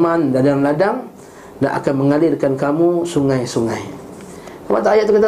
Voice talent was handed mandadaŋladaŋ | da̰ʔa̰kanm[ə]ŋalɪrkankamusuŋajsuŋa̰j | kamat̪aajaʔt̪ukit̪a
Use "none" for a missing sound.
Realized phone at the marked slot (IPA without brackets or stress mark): ə